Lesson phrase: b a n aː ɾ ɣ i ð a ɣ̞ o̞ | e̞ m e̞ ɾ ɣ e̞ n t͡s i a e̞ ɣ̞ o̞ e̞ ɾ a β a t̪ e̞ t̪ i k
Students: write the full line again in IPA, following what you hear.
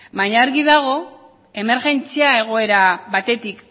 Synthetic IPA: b a ɲ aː ɾ ɣ i ð a ɣ̞ o̞ | e̞ m e̞ ɾ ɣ e̞ n t͡s i a e̞ ɣ̞ o̞ e̞ ɾ a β a t̪ e̞ t̪ i k